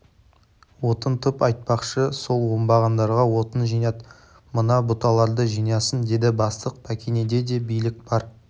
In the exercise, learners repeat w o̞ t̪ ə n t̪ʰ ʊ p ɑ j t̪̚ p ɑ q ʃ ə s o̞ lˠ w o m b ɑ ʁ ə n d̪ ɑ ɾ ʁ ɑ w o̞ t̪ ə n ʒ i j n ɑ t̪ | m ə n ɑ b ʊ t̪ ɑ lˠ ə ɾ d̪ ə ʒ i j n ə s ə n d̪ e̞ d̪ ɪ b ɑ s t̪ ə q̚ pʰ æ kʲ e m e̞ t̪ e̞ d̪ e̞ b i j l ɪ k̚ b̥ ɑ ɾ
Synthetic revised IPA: w o̞ t̪ ə n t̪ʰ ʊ p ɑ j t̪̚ p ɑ q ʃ ə s o̞ lˠ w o m b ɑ ʁ ɑ n d̪ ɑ ɾ ʁ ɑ w o̞ t̪ ə n ʒ i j n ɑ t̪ | m ə n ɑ b ʊ t̪ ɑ lˠ ɑ ɾ d̪ ə ʒ i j n ɑ s ə n d̪ e̞ d̪ ɪ b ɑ s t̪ ə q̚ pʰ æ kʲ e n e̞ d̪ e̞ d̪ e̞ b i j l ɪ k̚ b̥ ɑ ɾ